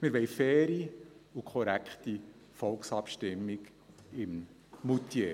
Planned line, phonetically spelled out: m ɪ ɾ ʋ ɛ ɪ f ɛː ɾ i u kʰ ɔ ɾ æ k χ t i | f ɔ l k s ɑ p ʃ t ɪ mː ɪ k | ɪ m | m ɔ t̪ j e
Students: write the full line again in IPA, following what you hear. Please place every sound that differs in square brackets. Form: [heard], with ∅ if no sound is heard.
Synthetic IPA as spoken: m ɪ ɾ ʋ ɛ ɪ f ɛː ɾ i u kʰ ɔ ɾ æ k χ t i | f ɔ l k s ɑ p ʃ t ɪ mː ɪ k | ɪ m | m [u] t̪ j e